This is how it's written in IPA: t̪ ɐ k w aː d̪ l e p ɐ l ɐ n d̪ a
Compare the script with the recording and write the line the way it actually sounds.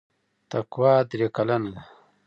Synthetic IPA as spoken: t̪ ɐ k w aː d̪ ɾ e k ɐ l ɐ n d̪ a